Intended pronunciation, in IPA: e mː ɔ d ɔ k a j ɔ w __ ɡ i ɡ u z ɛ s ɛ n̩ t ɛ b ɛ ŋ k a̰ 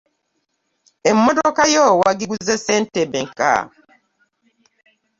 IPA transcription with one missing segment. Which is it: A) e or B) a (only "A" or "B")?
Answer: B